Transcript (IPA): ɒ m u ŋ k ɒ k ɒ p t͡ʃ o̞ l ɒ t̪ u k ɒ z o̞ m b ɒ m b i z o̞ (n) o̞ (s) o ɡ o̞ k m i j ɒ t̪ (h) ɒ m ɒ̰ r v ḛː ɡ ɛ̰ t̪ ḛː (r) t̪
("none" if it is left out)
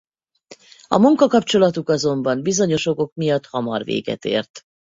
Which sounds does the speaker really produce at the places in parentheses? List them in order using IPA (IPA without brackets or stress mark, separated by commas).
ɲ, ʃ, h, r